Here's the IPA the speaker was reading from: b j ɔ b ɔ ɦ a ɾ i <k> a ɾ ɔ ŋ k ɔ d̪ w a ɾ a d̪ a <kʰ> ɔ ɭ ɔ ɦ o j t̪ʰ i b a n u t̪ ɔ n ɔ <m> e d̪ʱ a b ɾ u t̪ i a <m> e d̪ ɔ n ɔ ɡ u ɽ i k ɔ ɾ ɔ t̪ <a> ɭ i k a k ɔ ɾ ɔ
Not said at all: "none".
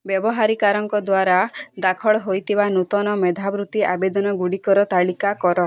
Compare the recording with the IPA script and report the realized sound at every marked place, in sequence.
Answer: k, kʰ, m, b, a

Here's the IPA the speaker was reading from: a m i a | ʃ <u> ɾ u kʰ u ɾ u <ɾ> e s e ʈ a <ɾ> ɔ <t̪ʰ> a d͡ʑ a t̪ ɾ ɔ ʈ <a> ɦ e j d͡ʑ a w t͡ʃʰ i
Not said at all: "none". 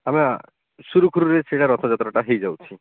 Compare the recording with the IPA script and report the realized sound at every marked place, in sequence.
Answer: u, ɾ, ɾ, t̪ʰ, a

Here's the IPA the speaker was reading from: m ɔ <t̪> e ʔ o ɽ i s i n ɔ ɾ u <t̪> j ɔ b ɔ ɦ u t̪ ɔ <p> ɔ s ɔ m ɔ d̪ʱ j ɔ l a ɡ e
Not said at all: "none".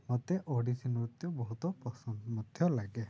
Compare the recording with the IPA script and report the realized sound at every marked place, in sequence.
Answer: t̪, t̪, p

